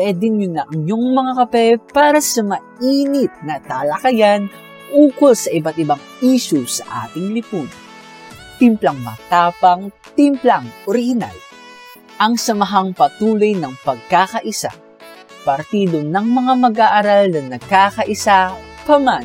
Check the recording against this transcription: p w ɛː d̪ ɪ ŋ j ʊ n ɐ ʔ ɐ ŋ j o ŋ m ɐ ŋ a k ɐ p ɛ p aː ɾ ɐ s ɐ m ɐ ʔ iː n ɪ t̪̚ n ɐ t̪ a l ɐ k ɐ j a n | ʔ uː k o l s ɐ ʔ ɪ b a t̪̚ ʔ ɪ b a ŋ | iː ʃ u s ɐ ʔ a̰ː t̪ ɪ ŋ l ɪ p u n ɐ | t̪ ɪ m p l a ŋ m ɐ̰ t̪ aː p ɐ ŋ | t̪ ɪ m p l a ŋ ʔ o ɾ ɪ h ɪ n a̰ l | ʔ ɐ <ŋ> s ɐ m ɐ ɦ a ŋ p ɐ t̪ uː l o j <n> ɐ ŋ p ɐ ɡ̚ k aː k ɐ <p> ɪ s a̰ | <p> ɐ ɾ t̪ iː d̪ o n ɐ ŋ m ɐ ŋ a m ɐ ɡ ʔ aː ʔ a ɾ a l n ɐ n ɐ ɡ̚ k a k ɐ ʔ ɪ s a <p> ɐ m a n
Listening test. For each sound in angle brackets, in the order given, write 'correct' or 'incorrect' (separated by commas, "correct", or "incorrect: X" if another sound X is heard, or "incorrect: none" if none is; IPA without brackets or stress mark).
correct, correct, incorrect: ʔ, correct, correct